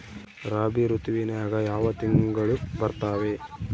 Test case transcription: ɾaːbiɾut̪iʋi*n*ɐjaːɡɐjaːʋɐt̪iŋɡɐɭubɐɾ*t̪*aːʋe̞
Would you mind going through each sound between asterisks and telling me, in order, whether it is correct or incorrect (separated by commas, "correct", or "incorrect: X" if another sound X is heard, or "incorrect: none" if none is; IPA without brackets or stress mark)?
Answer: correct, correct